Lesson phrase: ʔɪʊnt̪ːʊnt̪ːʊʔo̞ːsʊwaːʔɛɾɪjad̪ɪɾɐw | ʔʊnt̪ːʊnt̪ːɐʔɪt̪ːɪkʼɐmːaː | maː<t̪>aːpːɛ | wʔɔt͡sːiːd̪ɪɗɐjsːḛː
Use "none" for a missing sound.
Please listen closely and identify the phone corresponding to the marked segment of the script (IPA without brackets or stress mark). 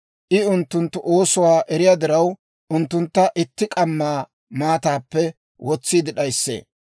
t̪